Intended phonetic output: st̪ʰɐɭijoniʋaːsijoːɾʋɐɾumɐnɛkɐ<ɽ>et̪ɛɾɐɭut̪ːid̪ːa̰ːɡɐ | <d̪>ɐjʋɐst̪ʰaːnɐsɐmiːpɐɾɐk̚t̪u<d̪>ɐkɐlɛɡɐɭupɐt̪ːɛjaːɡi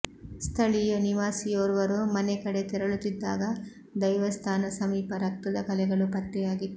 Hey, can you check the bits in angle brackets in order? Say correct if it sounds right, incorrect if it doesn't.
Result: correct, correct, correct

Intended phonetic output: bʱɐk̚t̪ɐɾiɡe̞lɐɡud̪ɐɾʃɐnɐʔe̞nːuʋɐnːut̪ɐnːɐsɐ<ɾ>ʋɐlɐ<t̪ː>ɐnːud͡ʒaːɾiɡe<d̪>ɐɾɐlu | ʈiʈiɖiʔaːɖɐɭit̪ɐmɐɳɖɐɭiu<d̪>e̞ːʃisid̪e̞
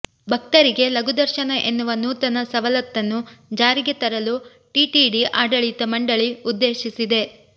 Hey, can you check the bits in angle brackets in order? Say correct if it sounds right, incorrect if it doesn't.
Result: incorrect: none, correct, incorrect: t̪, incorrect: d̪ː

